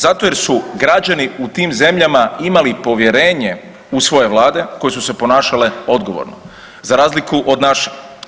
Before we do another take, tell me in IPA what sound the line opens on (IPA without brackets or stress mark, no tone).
z